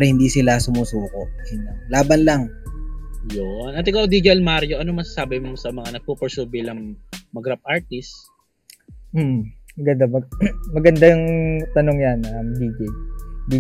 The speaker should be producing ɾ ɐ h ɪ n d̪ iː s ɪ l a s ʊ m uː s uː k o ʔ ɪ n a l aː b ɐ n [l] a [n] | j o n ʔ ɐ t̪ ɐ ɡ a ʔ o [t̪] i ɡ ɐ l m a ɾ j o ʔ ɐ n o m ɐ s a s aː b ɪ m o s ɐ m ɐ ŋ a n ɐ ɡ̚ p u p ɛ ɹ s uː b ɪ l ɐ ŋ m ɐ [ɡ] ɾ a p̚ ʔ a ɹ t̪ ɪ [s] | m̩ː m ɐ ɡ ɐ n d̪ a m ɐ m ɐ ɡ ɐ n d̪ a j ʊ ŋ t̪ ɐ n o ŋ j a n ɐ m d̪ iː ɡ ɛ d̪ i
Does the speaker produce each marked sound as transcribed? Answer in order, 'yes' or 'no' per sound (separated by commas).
yes, no, no, yes, yes